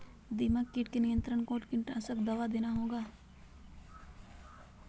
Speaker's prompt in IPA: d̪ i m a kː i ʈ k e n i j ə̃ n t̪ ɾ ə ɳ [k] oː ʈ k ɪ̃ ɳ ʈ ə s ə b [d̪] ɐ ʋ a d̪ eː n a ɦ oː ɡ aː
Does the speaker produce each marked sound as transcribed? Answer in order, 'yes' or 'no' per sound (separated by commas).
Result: yes, yes